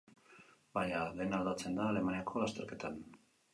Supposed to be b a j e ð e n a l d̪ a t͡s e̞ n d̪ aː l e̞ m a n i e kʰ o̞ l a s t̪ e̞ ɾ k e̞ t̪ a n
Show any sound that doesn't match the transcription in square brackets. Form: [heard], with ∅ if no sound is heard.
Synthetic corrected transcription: b a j [a] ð e n a l d̪ a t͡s e̞ n d̪ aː l e̞ m a n i [a] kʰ o̞ l a s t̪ e̞ ɾ k e̞ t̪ a n